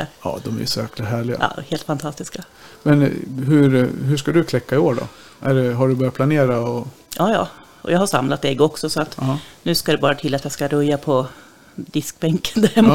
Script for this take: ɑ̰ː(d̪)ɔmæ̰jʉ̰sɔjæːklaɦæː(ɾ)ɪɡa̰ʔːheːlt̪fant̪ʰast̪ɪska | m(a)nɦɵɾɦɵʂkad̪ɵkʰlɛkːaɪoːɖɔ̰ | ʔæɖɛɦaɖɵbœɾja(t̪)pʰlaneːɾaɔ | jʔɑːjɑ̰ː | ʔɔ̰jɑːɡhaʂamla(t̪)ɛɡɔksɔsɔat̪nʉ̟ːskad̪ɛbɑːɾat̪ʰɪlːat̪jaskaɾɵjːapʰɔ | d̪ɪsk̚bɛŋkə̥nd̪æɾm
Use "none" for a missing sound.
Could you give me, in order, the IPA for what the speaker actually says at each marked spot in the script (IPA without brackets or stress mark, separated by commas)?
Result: d̪, ɭ, ɛ, t̪, t̪